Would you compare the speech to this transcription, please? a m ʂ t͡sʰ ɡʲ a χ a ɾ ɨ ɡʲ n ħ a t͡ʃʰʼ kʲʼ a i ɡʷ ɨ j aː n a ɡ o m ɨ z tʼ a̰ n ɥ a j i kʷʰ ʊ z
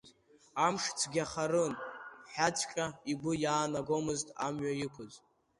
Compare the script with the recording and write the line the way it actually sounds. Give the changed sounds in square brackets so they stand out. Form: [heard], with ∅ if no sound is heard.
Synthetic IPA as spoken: a m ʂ t͡sʰ ɡʲ a χ a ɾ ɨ [∅] n ħ a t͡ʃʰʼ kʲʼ a i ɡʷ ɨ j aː n a ɡ o m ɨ z tʼ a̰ [m] ɥ a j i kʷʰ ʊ z